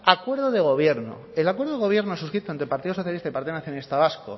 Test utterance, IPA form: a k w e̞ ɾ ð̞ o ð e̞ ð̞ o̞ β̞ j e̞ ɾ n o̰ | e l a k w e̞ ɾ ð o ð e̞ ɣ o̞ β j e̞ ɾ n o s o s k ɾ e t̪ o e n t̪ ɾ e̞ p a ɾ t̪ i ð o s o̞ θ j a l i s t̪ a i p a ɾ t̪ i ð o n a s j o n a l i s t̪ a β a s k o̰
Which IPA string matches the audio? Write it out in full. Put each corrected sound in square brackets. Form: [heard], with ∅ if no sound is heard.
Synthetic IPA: a k w e̞ ɾ ð̞ o ð e̞ [ɣ̞] o̞ β̞ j e̞ ɾ n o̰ | e l a k w e̞ ɾ ð o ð e̞ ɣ o̞ β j e̞ ɾ n o s [u] s k ɾ [i] t̪ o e n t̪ ɾ e̞ p a ɾ t̪ i ð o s o̞ θ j a l i s t̪ a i p a ɾ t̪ i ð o n a [θ] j o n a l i s t̪ a β a s k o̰